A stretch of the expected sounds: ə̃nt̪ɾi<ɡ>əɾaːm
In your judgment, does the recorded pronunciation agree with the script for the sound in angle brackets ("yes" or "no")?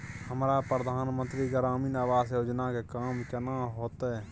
yes